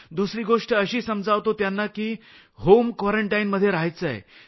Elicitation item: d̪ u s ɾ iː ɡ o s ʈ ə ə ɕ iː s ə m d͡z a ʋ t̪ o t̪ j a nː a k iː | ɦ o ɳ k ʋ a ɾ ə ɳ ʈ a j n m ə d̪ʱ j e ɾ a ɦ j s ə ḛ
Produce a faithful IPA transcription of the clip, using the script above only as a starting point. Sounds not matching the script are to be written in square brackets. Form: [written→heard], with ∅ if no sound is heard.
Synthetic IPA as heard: d̪ u s ɾ iː ɡ o [s→ʂ] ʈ ə ə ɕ iː s ə m d͡z a ʋ t̪ o t̪ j a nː a k iː | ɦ o [ɳ→m] k ʋ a ɾ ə ɳ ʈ a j n m ə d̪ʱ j e ɾ a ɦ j [s→t͡s] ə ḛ